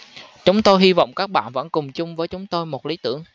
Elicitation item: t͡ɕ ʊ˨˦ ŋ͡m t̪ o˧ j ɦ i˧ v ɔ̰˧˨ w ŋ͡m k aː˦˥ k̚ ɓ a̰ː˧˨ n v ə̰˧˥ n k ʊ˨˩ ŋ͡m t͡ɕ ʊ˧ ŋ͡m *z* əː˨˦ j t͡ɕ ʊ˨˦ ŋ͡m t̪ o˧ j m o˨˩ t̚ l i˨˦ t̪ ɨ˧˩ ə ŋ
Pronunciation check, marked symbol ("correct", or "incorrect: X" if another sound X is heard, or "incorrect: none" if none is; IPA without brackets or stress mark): incorrect: v